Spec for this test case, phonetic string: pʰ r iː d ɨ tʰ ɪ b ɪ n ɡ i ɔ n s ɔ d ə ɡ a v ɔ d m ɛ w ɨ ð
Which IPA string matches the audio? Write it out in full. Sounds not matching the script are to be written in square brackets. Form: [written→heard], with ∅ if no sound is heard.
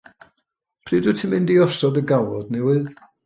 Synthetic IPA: pʰ r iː d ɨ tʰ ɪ [b→m] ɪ n [ɡ→d] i ɔ [n→∅] s ɔ d ə ɡ a [v→w] ɔ d [m→n] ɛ w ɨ ð